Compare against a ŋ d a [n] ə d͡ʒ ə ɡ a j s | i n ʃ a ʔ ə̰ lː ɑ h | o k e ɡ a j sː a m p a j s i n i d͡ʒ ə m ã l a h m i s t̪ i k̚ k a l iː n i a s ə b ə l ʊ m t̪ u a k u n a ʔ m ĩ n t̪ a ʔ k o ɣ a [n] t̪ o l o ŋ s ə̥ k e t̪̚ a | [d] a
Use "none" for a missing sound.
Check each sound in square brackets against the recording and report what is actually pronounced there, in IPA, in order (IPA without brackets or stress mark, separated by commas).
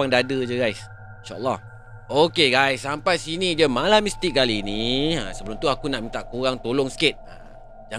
d, ŋ, d͡ʒ